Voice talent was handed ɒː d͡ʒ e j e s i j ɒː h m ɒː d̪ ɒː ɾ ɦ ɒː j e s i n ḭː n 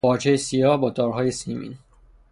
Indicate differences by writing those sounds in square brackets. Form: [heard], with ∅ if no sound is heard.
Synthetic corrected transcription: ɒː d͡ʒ e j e s i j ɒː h [b] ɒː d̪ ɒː ɾ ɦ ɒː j e s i [m] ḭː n